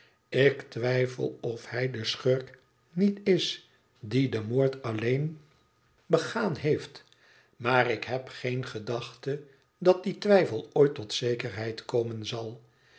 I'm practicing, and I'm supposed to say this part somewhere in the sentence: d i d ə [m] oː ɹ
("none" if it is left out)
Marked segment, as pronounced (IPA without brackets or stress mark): m